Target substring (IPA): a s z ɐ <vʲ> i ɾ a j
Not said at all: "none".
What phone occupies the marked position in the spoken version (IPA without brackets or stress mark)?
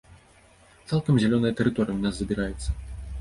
bʲ